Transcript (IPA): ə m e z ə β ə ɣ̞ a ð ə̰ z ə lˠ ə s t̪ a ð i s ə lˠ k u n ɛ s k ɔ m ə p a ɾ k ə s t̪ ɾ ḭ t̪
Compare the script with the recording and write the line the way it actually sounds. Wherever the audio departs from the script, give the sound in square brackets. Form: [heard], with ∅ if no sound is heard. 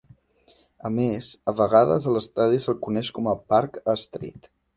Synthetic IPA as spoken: ə m e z ə β ə ɣ̞ a ð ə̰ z ə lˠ ə s t̪ a ð i s ə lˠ k u n ɛ [ʃ] k ɔ m ə p a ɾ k ə s t̪ ɾ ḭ t̪